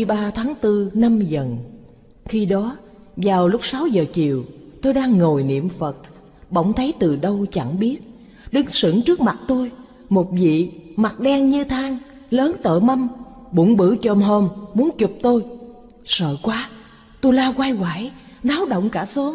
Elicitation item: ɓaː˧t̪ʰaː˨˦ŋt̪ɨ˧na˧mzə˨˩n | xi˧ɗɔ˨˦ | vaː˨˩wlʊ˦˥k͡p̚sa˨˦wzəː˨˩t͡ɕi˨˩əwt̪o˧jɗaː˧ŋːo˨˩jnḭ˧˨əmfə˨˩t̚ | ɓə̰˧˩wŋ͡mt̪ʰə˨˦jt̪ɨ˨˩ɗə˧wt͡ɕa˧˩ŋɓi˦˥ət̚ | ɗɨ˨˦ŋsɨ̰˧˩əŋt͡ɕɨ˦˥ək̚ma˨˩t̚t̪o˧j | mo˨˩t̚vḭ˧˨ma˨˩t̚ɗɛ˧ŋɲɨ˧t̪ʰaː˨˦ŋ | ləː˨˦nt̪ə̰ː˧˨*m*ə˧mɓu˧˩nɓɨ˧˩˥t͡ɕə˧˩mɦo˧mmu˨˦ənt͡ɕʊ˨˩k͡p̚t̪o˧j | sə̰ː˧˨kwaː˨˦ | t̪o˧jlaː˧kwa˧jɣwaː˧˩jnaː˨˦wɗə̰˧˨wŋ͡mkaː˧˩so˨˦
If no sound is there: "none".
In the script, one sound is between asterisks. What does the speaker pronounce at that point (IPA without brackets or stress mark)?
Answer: m